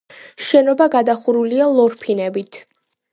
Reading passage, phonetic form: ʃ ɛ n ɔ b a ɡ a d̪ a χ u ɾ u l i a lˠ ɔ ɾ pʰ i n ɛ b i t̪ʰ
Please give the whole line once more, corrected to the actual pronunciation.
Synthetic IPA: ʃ ɛ n ɔ b a ɡ a d̪ a χ u ɾ u l i a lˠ ɔ ɾ pʰ i n ɛ b i t̪ʰ